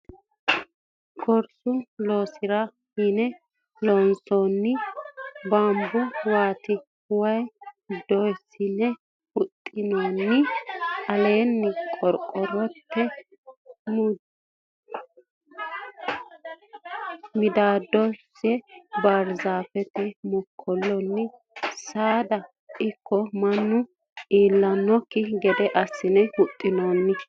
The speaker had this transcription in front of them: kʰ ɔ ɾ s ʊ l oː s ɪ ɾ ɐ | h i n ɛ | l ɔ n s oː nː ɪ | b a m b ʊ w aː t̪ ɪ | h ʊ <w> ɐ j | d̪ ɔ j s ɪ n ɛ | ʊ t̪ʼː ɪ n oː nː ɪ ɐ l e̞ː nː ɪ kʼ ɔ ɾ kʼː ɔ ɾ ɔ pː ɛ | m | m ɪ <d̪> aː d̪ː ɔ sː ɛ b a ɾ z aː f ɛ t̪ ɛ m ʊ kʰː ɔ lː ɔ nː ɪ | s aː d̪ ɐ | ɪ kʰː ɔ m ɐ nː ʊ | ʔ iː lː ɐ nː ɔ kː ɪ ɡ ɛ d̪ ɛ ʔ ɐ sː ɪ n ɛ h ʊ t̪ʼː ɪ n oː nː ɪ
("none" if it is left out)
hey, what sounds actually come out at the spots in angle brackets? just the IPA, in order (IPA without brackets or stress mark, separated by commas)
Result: w, d̪